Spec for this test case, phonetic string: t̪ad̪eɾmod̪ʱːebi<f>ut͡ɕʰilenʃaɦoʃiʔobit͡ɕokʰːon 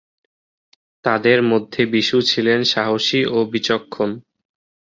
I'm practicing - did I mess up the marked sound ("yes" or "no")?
yes